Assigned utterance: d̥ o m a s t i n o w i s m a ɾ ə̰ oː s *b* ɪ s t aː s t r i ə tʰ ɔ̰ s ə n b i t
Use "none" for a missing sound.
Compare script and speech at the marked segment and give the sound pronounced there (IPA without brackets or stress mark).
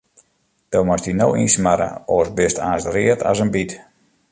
b